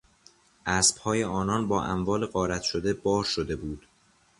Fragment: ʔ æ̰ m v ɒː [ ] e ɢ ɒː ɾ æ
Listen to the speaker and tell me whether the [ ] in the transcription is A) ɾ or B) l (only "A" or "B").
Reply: B